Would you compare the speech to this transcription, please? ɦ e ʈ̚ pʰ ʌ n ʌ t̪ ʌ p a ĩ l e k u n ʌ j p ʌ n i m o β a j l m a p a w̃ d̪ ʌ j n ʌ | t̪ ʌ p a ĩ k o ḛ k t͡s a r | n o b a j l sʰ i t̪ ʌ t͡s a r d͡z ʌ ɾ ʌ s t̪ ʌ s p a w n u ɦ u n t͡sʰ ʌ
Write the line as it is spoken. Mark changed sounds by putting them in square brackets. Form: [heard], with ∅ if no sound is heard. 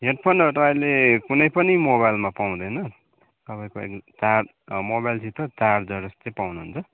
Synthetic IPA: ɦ e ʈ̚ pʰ ʌ n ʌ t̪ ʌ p a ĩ l e k u n ʌ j p ʌ n i m o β a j l m a p a w̃ d̪ ʌ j n ʌ | t̪ ʌ p a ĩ k o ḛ k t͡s a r | [m] o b a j l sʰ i t̪ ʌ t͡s a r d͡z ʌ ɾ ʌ s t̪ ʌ [∅] p a w n u ɦ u n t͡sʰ ʌ

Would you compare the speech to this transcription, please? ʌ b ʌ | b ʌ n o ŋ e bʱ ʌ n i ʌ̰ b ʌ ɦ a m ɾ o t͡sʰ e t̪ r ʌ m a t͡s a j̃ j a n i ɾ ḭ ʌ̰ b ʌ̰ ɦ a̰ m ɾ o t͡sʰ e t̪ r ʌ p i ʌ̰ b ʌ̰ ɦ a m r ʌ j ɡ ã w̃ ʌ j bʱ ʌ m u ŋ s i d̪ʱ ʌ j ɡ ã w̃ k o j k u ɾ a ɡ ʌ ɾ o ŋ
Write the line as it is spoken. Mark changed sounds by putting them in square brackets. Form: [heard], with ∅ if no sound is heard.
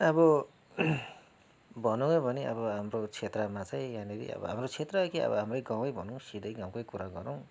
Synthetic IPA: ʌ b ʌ | b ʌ n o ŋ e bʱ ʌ n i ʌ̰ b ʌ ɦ a m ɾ o t͡sʰ e t̪ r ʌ m a t͡s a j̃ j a n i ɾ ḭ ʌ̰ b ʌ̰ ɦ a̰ m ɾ o t͡sʰ e t̪ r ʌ [k] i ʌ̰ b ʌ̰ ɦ a m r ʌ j ɡ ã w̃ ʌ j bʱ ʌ [n] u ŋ s i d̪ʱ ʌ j ɡ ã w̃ k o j k u ɾ a ɡ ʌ ɾ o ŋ

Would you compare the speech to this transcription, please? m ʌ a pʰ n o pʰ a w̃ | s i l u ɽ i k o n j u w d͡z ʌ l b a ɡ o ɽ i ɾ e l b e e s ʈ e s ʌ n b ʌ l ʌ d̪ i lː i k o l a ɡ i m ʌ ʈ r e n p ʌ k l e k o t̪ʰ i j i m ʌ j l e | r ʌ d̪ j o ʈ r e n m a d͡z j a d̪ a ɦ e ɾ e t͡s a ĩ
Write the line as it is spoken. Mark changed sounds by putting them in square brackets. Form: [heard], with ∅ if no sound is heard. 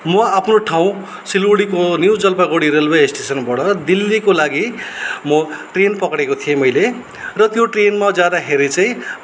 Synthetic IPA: m ʌ a pʰ n o [ʈʰ] a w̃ | s i l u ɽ i k o n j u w d͡z ʌ l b a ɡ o ɽ i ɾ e l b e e s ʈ e s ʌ n b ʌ [ɽ] ʌ d̪ i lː i k o l a ɡ i m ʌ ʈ r e n p ʌ k [ɽ] e k o t̪ʰ i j [e] m ʌ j l e | r ʌ [t̪] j o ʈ r e n m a d͡z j a d̪ a ɦ e ɾ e t͡s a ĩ

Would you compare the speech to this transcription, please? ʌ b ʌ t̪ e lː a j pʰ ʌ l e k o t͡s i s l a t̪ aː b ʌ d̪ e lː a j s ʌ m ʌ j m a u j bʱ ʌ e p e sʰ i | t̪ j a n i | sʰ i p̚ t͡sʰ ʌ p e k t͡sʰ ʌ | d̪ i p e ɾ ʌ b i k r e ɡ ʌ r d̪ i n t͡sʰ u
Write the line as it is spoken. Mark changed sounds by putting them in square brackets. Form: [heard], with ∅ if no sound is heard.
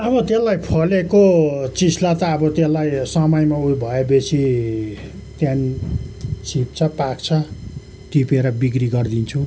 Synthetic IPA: ʌ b ʌ t̪ e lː a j pʰ ʌ l e k o t͡s i s l a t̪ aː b ʌ [t̪] e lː a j s ʌ m ʌ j m a u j bʱ ʌ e [b] e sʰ i | t̪ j a n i | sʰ i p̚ t͡sʰ ʌ p [a] k t͡sʰ ʌ | [t̪] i p e ɾ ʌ b i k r [i] ɡ ʌ r d̪ i n t͡sʰ u

